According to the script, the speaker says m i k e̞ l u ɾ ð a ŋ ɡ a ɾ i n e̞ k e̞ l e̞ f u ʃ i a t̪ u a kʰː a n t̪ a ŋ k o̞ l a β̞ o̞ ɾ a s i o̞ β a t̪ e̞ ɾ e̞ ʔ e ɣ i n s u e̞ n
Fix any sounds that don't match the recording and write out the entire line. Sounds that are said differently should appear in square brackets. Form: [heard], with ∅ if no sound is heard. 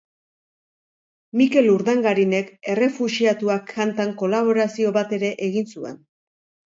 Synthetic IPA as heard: m i k e̞ l u ɾ ð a ŋ ɡ a ɾ i n e̞ k e̞ [r] e̞ f u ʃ i a t̪ u a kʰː a n t̪ a ŋ k o̞ l a β̞ o̞ ɾ a s i o̞ β a t̪ e̞ ɾ e̞ ʔ e ɣ i n s u e̞ n